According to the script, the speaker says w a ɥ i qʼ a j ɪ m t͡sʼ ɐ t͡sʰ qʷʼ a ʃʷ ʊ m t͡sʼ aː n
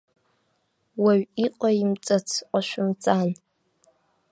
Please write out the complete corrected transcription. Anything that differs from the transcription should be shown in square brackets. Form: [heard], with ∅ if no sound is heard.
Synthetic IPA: w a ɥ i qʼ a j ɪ m t͡sʼ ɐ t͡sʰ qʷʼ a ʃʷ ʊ m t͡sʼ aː n

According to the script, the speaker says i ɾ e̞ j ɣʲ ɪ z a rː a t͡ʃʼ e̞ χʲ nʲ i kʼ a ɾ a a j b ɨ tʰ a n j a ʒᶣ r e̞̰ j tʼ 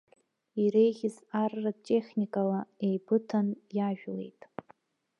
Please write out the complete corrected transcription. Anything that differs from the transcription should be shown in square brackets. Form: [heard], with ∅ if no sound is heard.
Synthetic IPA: i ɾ e̞ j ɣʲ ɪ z a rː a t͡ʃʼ e̞ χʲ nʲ i kʼ a [l] a [e] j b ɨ tʰ a n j a ʒᶣ [l] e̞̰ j tʼ

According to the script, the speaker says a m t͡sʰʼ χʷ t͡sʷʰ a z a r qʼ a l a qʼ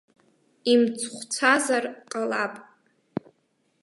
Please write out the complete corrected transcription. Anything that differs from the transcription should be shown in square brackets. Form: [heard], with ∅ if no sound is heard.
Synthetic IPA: [i] m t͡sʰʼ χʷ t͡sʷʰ a z a r qʼ a l a [pʼ]

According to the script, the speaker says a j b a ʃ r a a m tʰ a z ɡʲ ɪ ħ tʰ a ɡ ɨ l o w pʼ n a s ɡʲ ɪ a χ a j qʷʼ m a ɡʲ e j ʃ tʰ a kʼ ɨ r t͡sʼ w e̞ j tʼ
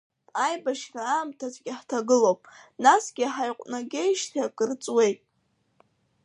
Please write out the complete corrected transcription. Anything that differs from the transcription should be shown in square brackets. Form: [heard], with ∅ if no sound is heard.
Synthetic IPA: a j b a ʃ r a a m tʰ a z ɡʲ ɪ ħ tʰ a ɡ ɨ l o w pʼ n a s ɡʲ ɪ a [ħ] a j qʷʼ [n] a ɡʲ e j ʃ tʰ a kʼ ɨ r t͡sʼ w e̞ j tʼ

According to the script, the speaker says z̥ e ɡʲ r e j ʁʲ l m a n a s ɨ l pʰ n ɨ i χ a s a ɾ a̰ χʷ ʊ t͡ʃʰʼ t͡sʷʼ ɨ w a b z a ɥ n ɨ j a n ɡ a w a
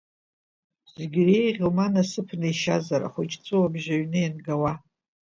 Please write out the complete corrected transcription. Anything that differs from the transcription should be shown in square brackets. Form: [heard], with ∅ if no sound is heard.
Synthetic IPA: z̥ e ɡʲ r e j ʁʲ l m a n a s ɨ [∅] pʰ n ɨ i [ʃ] a [z] a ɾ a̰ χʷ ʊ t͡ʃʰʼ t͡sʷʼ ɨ w a b [ʒ] a ɥ n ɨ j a n ɡ a w a

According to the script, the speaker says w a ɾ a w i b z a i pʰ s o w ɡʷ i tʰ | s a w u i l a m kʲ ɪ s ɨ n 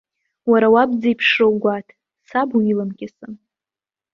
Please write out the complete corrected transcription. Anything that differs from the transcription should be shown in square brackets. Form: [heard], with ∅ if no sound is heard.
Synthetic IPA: w a ɾ a w [a] b [d͡z] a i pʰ [ʂ] o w ɡʷ [a] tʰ | s a [b] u i l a m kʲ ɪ s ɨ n

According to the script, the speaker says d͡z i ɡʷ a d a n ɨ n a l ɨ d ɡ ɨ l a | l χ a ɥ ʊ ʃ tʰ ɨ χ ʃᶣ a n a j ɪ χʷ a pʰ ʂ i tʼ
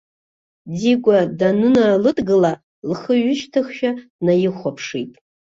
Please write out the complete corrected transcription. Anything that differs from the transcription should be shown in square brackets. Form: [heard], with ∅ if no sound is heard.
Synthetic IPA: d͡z i ɡʷ a d a n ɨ n a l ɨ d ɡ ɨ l a | l χ [ə] ɥ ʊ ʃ tʰ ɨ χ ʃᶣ a n a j ɪ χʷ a pʰ ʂ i tʼ

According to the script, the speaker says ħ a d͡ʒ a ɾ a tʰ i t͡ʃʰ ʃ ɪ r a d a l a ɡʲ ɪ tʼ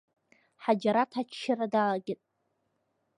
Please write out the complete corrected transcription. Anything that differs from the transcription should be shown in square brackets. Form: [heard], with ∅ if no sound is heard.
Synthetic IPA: ħ a d͡ʒ a ɾ a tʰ [a] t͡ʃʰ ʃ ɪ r a d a l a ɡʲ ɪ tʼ

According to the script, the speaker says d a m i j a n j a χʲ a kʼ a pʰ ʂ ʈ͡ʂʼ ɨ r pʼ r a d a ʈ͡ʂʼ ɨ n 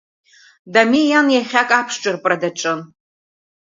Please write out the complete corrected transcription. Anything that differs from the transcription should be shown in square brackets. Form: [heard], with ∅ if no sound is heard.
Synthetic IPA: d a m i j a n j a χʲ a kʼ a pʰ ʂ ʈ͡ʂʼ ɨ r pʼ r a d a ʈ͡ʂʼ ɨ n

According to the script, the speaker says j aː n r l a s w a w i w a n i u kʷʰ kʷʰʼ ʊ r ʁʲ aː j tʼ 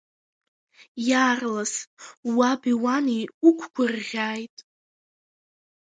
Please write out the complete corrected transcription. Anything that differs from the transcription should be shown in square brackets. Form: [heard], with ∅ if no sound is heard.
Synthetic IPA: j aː [∅] r l a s w a [b] i w a n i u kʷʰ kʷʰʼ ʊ r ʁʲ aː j tʼ

